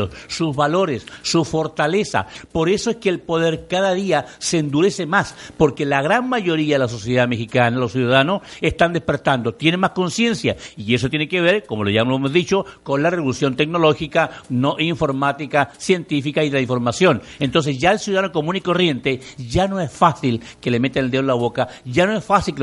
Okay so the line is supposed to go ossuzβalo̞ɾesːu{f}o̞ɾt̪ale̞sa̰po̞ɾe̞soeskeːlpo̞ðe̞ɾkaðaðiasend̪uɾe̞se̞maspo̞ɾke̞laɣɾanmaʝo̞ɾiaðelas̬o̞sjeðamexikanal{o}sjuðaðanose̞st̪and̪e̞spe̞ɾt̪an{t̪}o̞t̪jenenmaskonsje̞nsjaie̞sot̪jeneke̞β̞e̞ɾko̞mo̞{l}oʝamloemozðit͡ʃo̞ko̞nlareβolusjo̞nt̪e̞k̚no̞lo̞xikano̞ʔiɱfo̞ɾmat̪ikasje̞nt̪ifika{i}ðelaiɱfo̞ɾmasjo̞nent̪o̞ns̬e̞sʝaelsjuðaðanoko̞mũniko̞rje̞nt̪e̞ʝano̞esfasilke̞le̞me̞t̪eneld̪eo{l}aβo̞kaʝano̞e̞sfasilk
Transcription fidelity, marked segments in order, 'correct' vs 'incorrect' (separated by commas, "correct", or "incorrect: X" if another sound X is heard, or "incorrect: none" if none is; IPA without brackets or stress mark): correct, correct, incorrect: d̪, correct, correct, correct